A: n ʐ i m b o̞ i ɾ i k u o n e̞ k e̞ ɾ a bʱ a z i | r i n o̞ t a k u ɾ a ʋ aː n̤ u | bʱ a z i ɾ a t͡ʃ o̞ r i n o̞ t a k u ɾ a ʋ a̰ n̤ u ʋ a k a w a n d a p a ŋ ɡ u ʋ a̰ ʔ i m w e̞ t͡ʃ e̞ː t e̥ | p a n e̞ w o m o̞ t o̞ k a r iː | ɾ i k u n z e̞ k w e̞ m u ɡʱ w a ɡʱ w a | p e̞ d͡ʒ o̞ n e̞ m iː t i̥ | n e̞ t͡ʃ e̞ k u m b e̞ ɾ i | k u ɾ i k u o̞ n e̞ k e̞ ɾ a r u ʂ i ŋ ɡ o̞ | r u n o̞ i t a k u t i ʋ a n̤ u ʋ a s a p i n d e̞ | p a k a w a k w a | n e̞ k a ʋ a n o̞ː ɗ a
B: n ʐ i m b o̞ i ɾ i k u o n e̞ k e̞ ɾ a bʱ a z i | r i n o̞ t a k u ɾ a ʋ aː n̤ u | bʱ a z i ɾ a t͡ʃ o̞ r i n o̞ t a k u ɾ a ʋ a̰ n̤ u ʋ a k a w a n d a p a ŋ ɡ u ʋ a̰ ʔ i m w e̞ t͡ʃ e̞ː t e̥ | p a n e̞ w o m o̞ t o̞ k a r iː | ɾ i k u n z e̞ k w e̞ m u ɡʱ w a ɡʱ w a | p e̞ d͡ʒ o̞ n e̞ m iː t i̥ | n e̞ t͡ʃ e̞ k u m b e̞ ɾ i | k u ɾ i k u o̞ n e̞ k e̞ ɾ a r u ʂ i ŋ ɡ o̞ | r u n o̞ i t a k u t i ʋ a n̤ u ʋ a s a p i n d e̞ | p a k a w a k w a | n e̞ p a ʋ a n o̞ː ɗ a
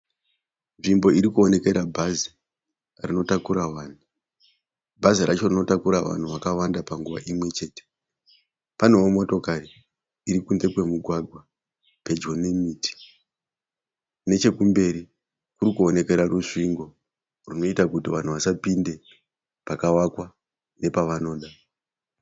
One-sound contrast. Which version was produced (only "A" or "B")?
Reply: B